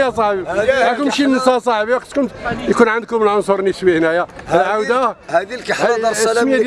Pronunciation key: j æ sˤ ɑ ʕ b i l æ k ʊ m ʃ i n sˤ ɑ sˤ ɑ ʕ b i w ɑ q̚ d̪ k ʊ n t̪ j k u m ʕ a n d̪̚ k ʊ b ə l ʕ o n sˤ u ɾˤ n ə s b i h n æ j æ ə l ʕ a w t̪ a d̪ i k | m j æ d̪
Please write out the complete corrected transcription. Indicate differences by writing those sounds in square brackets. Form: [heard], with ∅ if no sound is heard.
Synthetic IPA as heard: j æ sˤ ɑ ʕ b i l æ k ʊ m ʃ i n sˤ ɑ sˤ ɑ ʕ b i w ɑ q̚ [t̪] k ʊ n t̪ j k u [n] ʕ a n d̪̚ k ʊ [m] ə l ʕ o n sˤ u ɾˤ n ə s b i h n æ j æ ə l ʕ a w [d̪] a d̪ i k | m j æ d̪